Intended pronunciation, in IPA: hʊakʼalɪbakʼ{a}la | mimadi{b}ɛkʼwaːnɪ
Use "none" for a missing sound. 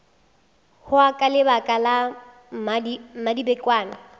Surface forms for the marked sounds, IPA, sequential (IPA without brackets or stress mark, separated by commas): a, b